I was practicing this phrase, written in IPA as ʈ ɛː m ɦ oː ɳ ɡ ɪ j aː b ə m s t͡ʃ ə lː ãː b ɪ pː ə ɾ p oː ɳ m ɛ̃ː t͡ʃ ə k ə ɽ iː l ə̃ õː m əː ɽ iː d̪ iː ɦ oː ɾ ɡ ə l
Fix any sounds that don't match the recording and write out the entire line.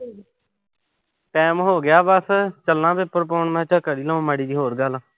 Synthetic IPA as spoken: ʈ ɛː m ɦ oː ɡ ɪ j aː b ə s t͡ʃ ə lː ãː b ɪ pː ə ɾ p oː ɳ m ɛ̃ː t͡ʃ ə k ə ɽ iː l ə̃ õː m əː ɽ iː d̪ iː ɦ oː ɾ ɡ ə l

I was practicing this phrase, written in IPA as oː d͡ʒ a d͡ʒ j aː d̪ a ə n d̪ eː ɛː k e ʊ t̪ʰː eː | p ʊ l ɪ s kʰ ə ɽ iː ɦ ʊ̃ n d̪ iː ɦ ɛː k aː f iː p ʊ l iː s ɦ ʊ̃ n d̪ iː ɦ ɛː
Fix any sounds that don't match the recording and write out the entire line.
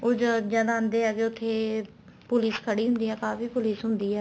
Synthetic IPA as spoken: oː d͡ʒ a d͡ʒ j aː d̪ a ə n d̪ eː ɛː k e ʊ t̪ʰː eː | p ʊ l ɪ s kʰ ə ɽ iː ɦ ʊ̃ n d̪ iː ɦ ɛː k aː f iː p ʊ l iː s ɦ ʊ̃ n d̪ iː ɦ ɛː

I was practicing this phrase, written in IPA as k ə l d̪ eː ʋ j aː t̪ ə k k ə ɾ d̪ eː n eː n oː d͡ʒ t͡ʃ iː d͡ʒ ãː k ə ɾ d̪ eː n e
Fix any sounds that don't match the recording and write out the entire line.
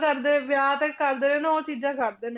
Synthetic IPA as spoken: k ə ɾ d̪ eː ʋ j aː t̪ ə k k ə ɾ d̪ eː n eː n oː t͡ʃ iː d͡ʒ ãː k ə ɾ d̪ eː n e

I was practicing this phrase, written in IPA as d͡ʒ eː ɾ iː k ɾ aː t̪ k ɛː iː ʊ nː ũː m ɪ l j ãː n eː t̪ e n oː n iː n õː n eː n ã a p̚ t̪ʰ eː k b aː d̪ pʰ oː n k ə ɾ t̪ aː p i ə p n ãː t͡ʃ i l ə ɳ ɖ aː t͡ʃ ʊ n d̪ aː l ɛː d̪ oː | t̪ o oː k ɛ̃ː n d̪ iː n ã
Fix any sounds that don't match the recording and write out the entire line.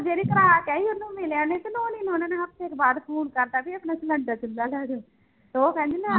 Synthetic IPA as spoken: d͡ʒ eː ɾ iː k ɾ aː k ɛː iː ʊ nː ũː m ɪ l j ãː n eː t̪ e n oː n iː n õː n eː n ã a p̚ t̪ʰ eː k b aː d̪ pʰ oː n k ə ɾ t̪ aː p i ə p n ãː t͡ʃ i l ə ɳ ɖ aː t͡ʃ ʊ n d̪ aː l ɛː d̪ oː | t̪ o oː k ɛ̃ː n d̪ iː n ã

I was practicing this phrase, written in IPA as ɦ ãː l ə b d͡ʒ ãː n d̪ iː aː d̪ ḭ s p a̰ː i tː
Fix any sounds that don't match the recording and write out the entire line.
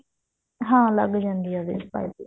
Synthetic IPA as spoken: ɦ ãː l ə ɡ d͡ʒ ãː n d̪ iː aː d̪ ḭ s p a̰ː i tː

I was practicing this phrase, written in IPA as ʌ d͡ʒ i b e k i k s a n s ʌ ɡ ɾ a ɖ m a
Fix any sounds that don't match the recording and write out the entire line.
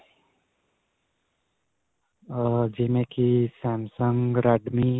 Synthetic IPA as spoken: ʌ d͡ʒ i m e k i s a m s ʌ ŋ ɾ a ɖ m i

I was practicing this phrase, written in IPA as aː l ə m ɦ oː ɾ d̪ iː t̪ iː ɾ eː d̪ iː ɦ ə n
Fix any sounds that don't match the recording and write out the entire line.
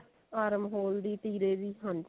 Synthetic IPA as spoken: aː ɾ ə m ɦ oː l d̪ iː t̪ iː ɾ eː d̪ iː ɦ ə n

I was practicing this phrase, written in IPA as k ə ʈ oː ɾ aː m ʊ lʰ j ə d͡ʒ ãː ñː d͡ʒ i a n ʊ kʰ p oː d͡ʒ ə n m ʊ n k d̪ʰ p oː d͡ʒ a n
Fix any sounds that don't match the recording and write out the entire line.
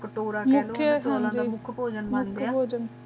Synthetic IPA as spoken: k ə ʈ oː ɾ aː m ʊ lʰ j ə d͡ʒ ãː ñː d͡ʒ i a m ʊ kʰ p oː d͡ʒ ə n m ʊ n k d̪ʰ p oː d͡ʒ ə n

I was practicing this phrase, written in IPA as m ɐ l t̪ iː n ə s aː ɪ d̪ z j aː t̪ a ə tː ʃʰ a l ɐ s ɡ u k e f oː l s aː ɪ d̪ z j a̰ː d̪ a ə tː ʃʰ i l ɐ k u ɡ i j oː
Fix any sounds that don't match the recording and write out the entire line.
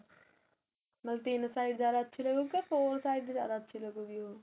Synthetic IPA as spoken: m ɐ l t̪ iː n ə s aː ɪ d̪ z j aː d̪ a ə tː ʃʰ i l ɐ ɡ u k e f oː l s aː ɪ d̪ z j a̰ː d̪ a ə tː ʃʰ i l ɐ ɡ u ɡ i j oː

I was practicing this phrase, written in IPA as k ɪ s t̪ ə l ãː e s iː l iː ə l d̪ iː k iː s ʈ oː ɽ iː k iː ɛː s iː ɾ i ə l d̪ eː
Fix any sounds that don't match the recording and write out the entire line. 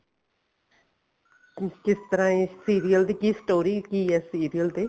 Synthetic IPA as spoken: k ɪ s t̪ ə ɾ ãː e s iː ɾ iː ə l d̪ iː k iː s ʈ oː ɾ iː k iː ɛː s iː ɾ i ə l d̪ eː

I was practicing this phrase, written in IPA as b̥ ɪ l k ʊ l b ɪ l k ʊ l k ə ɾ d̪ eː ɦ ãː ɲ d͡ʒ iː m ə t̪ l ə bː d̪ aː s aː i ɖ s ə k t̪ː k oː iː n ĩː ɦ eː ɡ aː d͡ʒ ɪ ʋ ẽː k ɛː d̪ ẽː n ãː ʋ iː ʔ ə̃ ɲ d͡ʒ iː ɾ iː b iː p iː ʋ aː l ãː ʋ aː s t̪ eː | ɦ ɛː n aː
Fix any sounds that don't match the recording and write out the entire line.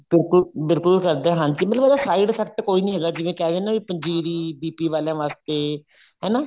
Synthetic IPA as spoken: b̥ ɪ l k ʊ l b ɪ l k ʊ l k ə ɾ d̪ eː ɦ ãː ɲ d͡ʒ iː m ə t̪ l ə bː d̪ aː s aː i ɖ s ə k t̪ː k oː iː n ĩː ɦ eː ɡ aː d͡ʒ ɪ ʋ ẽː k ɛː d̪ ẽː n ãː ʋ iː p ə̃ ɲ d͡ʒ iː ɾ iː b iː p iː ʋ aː l ãː ʋ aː s t̪ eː | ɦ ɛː n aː

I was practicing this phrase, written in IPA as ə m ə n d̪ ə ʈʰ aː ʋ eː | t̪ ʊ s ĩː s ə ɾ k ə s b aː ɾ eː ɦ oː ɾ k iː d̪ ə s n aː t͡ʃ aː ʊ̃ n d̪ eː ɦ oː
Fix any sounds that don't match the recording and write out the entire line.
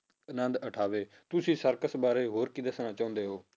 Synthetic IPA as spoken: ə n ə n d̪ ə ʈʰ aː ʋ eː | t̪ ʊ s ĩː s ə ɾ k ə s b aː ɾ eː ɦ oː ɾ k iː d̪ ə s n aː t͡ʃ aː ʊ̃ n d̪ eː ɦ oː

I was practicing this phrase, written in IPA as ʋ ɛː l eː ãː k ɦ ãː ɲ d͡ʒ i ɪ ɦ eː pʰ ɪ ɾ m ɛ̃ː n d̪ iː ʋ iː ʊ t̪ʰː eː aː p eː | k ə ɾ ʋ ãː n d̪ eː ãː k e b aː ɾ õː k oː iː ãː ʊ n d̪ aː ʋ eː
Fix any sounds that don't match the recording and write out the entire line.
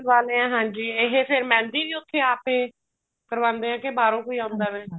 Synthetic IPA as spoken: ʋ aː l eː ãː ɦ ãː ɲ d͡ʒ iː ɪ ɦ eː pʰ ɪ ɾ m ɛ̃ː n d̪ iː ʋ iː ʊ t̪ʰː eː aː p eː | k ə ɾ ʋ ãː n d̪ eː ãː k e b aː ɾ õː k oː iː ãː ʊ n d̪ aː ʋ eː

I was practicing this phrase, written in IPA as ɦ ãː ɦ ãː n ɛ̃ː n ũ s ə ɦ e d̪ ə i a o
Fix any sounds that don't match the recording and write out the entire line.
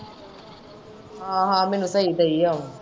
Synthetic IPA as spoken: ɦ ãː ɦ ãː m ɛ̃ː n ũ s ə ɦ i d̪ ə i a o

